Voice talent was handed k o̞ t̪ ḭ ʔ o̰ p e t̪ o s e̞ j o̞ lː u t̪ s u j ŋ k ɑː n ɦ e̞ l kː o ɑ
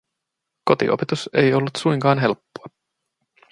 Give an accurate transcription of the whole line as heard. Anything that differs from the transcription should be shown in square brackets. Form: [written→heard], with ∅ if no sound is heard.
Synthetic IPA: k o̞ t̪ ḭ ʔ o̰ p e t̪ [o→u] s e̞ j o̞ lː u t̪ s u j ŋ k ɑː n ɦ e̞ l [kː→pː] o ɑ